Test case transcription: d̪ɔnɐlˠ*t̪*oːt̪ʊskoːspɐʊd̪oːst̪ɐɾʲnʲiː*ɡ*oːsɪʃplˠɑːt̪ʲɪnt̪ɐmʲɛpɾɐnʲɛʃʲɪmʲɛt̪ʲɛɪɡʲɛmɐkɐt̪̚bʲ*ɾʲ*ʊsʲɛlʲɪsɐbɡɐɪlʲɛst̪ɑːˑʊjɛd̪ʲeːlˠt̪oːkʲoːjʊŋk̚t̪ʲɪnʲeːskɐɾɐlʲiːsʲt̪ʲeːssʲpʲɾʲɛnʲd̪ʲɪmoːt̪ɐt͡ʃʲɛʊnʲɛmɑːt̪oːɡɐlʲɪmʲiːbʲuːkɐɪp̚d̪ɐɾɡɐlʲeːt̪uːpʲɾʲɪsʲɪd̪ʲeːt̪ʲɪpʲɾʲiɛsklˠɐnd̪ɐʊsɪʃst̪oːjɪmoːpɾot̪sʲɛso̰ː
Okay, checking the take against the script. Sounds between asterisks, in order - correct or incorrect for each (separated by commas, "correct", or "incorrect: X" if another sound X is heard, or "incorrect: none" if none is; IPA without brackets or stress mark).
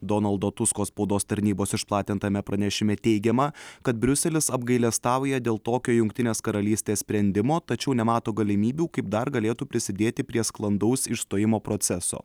incorrect: d̪, incorrect: b, correct